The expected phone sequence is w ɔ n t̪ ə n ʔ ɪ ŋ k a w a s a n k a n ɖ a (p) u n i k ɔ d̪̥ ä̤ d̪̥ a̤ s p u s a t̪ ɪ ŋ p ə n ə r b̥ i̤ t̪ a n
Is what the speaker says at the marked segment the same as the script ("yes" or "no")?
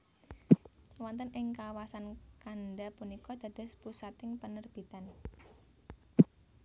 yes